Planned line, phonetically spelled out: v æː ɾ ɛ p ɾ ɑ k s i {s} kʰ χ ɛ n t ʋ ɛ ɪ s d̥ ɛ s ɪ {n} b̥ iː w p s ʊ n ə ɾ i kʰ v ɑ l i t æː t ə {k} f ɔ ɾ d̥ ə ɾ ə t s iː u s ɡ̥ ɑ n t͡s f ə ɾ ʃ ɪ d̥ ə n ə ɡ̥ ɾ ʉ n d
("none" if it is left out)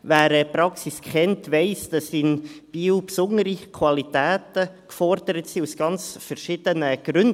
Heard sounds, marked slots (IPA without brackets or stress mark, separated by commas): s, n, k